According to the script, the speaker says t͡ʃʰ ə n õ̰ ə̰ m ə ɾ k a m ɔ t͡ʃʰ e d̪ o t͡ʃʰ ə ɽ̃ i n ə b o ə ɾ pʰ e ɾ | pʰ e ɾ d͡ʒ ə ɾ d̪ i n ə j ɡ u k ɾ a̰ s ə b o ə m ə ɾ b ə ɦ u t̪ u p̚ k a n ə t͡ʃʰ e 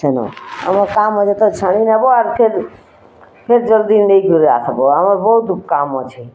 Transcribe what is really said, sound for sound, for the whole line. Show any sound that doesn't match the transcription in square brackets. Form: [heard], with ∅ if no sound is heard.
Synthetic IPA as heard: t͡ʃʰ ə n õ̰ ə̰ m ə ɾ k a m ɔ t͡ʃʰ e [t̪] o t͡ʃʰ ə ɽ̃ i n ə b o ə ɾ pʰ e ɾ | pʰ e ɾ d͡ʒ ə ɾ d̪ i n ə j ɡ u [∅] ɾ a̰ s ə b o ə m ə ɾ b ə ɦ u t̪ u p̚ k a [m] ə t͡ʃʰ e